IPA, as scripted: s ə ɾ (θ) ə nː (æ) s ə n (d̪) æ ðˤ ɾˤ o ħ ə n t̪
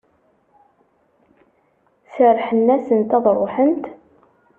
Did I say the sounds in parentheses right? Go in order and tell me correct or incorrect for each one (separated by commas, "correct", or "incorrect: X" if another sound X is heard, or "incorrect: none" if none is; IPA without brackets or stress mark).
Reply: incorrect: ħ, correct, incorrect: t̪